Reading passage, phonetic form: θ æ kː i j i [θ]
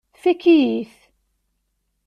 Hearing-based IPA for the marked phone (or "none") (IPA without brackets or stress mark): θ